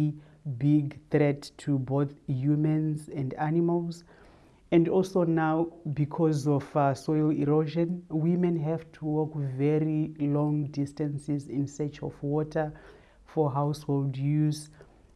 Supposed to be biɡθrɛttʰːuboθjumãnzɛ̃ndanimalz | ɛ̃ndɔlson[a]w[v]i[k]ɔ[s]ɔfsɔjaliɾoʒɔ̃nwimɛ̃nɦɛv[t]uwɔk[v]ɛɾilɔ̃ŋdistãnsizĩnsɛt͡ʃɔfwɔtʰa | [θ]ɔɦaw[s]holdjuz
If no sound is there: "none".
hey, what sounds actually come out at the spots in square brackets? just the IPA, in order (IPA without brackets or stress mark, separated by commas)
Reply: a, b, kʰ, z, tʰ, v, f, s